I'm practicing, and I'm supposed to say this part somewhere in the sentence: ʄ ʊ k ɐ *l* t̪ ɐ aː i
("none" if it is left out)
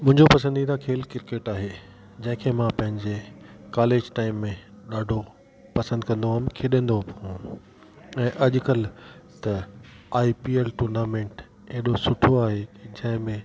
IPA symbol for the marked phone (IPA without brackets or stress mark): l